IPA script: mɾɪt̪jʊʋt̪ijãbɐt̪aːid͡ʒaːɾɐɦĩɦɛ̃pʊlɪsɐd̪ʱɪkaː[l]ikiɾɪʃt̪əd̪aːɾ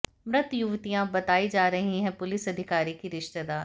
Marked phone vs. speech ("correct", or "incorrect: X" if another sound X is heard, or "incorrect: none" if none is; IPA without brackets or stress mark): incorrect: ɾ